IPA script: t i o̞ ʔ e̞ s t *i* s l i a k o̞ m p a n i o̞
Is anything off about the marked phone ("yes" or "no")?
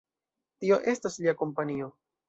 yes